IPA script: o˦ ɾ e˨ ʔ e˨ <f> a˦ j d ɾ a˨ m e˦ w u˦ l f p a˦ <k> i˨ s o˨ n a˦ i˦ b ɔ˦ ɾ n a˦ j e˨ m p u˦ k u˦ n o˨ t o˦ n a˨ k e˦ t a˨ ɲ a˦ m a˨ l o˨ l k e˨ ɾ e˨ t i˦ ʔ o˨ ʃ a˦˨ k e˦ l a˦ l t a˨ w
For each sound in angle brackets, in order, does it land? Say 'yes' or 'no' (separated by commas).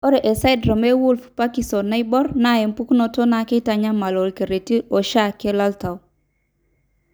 no, yes